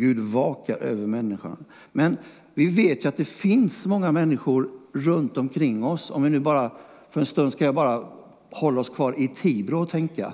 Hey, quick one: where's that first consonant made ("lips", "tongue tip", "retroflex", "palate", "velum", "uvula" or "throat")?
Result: velum